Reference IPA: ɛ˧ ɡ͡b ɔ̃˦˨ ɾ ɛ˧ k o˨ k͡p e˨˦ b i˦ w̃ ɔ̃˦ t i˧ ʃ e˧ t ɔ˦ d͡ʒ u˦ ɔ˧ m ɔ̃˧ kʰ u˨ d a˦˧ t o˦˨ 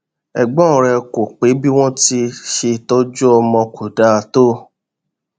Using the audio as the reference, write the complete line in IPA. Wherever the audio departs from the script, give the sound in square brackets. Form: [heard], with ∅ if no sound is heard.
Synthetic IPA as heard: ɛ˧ ɡ͡b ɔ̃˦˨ ɾ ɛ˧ k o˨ k͡p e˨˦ b i˦ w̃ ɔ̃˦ t i˧ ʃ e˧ t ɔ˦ d͡ʒ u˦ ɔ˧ m ɔ̃˧ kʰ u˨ d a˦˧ t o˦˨